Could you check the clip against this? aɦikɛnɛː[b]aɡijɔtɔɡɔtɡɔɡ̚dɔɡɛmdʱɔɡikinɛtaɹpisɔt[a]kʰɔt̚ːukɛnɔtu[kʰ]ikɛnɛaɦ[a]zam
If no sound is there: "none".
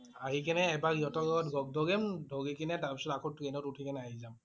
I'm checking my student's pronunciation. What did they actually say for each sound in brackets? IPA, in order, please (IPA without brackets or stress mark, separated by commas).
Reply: b, a, tʰ, i